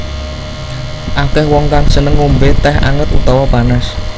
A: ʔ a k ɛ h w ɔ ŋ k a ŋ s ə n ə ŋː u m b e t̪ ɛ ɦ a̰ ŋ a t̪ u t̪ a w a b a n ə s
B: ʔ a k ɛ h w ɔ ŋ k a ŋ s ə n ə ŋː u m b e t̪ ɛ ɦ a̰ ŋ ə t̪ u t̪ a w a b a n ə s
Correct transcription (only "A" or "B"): B